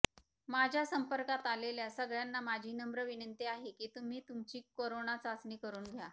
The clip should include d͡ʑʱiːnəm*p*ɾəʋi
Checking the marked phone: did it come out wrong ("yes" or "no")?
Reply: yes